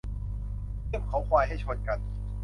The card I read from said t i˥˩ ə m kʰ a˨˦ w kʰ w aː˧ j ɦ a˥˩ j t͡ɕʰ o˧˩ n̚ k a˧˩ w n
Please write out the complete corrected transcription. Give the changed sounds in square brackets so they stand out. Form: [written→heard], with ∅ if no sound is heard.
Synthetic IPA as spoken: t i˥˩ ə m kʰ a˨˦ w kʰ w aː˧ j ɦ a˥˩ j t͡ɕʰ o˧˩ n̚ k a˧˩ [w→∅] n